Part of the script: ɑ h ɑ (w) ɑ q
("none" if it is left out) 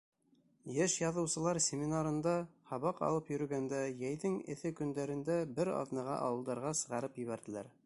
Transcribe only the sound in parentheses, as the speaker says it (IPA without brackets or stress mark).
β